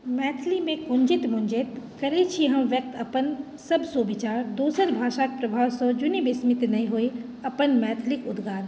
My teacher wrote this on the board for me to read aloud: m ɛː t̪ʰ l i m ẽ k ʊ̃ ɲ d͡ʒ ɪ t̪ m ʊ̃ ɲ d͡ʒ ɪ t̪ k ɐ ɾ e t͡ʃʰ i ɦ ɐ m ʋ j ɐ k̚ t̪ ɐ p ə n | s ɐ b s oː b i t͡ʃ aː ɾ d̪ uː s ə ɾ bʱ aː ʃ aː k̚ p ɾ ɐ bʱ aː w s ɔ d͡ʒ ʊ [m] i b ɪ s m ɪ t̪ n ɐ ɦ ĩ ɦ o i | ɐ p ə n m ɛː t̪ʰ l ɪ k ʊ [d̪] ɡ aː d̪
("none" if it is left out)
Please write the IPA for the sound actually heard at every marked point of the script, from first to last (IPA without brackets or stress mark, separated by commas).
n, d̪